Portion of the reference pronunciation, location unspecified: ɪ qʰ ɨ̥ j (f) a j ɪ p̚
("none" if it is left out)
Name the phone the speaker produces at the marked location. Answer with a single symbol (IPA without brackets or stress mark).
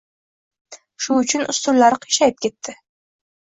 ʃ